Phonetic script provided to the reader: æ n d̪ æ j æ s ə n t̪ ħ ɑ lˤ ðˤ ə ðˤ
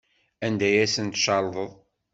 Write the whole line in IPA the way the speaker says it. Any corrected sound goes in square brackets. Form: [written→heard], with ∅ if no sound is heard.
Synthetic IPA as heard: æ n d̪ æ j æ s ə n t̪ [ħ→ʃ] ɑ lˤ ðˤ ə ðˤ